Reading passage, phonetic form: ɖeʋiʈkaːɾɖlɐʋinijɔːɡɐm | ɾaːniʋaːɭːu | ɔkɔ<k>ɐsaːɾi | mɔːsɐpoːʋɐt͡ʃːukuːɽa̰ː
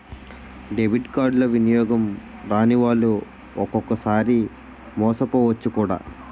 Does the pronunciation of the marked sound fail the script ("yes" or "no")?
no